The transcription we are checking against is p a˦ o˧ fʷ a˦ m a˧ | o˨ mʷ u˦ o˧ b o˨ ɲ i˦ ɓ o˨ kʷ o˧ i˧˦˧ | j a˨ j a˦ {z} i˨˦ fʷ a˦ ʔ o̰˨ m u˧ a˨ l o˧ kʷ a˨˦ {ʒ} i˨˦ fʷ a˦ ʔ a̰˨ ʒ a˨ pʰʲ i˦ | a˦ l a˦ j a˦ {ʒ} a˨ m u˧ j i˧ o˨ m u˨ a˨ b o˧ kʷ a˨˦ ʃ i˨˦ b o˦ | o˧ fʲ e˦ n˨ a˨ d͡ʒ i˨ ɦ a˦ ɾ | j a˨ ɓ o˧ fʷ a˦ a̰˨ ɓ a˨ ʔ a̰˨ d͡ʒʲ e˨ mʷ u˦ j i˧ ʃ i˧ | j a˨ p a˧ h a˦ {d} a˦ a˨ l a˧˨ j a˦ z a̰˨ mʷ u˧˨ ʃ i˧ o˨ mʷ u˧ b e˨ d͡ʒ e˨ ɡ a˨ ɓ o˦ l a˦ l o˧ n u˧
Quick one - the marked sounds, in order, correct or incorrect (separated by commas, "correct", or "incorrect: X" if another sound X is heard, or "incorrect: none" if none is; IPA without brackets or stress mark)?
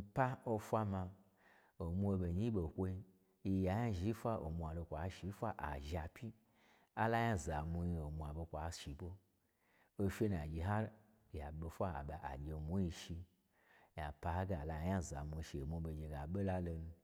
incorrect: ʒ, incorrect: ʃ, incorrect: z, incorrect: ɡ